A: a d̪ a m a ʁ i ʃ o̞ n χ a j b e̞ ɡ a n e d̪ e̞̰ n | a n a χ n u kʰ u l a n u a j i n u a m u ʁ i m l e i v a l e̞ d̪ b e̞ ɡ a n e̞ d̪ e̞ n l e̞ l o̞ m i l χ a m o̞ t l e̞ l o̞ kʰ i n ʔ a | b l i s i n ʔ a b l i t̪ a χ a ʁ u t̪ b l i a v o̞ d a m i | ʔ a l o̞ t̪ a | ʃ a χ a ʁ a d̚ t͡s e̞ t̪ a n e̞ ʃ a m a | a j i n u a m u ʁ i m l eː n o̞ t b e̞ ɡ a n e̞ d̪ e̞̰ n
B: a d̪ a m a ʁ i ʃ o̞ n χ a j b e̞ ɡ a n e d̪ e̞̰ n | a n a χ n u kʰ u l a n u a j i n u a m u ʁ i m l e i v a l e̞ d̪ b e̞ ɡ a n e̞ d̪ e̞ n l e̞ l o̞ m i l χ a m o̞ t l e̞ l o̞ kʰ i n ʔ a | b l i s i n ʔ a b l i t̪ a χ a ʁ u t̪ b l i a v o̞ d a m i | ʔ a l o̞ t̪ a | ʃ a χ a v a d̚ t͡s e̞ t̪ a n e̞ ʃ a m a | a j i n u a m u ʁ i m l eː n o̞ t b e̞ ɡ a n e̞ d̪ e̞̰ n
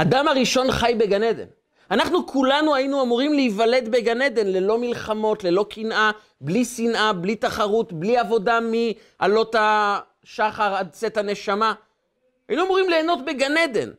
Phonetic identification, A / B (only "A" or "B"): A